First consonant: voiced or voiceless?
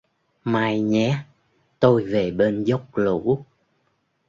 voiced